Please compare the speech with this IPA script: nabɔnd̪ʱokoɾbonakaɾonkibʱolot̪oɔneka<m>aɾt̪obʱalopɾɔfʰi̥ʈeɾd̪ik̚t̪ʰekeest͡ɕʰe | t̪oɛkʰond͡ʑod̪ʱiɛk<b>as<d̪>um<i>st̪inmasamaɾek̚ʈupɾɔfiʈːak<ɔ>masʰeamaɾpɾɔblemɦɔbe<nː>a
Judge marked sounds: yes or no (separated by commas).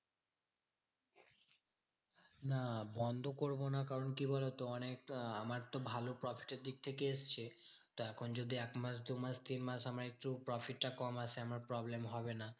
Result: yes, no, yes, no, yes, no